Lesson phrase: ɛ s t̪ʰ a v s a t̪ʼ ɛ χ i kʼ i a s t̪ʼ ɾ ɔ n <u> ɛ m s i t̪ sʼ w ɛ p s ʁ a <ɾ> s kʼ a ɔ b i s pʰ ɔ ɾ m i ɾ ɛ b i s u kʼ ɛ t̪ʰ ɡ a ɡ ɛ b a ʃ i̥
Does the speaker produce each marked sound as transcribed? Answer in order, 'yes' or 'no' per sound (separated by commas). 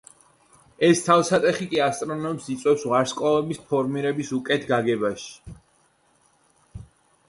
no, yes